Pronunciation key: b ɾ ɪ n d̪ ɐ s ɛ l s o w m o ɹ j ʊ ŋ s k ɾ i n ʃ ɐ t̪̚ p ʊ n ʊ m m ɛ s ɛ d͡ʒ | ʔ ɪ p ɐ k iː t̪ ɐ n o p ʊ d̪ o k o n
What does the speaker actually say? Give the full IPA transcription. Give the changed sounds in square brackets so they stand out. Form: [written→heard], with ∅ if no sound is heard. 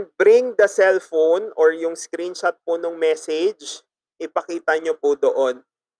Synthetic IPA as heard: b ɾ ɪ [n→ŋ] d̪ ɐ s ɛ l [s→f] o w [m→n] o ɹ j ʊ ŋ s k ɾ i n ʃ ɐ t̪̚ p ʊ n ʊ [m→ŋ] m ɛ s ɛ d͡ʒ | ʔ ɪ p ɐ k iː t̪ ɐ [n→ɲ] o p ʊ d̪ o [k→ʔ] o n